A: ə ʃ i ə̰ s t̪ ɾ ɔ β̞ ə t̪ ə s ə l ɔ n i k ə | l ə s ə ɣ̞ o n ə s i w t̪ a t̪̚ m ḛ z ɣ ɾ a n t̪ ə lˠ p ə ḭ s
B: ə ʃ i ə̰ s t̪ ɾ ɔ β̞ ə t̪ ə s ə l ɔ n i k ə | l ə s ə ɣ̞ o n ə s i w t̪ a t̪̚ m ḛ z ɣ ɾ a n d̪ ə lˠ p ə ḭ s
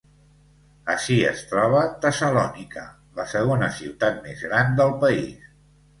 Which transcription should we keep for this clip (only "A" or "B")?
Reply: B